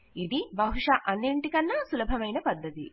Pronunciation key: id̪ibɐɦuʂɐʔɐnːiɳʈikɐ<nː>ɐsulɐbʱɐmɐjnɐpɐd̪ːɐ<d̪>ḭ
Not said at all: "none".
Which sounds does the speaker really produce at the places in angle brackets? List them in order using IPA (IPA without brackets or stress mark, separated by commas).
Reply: nː, t̪